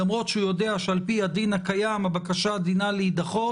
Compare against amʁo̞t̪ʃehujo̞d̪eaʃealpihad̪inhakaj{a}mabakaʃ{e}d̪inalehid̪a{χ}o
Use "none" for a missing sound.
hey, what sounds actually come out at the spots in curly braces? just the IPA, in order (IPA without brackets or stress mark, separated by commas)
a, a, χ